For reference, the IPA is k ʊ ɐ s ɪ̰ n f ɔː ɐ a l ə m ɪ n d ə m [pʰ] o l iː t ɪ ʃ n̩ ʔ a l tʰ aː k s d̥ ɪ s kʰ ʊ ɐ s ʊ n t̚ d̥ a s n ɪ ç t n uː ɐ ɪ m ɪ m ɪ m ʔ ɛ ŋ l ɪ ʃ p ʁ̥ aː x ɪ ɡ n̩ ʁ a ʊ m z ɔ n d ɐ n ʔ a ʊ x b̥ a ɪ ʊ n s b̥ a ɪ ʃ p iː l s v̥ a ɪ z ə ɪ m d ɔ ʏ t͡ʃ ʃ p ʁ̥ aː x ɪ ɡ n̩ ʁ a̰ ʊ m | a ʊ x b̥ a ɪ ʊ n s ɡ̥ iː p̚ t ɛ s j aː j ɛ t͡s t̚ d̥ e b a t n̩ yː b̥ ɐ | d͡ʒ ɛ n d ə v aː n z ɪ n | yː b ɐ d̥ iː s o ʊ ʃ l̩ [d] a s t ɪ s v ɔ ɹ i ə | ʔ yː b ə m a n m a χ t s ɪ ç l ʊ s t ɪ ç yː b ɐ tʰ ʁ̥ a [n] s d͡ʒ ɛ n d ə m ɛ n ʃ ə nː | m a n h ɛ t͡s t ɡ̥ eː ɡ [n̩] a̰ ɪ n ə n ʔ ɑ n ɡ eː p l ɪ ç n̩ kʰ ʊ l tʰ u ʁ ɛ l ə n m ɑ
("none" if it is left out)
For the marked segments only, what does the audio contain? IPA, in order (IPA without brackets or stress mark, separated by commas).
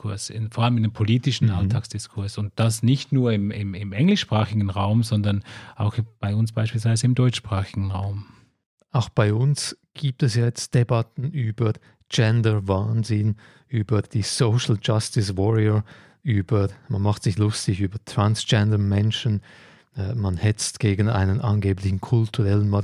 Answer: pʰ, d͡ʒ, n, n̩